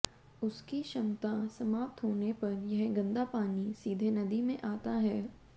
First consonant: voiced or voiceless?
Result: voiceless